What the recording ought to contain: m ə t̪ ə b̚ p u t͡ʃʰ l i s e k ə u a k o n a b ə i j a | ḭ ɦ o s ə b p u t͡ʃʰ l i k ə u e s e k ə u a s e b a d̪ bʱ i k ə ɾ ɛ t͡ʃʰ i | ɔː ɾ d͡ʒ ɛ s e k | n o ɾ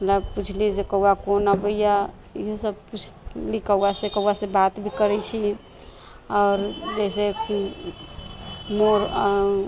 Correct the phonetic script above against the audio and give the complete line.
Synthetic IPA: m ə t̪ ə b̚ p u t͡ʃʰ l i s e k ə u a k o n a b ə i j a | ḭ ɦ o s ə b p u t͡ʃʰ l i k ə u a s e k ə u a s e b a t̪ bʱ i k ə ɾ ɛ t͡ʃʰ i | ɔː ɾ d͡ʒ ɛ s e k | m o ɾ